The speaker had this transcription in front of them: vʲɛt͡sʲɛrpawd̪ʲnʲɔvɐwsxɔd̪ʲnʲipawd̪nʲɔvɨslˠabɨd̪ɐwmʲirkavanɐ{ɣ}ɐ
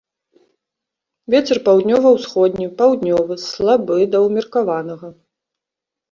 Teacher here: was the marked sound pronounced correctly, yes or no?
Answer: yes